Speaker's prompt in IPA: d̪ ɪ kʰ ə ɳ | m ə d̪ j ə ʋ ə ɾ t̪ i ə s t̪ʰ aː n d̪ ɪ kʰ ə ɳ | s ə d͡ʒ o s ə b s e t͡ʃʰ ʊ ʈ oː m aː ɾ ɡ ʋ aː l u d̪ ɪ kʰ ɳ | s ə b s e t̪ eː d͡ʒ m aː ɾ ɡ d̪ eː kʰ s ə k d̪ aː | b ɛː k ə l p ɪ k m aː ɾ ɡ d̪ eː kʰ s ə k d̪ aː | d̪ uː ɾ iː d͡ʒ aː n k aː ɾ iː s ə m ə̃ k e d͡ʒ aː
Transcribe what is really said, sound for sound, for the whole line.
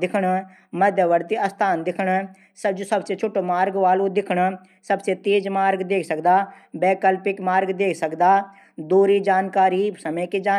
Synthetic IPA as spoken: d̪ ɪ kʰ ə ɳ | m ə d̪ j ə ʋ ə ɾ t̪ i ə s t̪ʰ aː n d̪ ɪ kʰ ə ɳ | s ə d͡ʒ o s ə b s e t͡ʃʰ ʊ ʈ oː m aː ɾ ɡ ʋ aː l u d̪ ɪ kʰ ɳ | s ə b s e t̪ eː d͡ʒ m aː ɾ ɡ d̪ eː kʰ s ə k d̪ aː | b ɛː k ə l p ɪ k m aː ɾ ɡ d̪ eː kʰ s ə k d̪ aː | d̪ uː ɾ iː d͡ʒ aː n k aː ɾ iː s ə m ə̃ k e d͡ʒ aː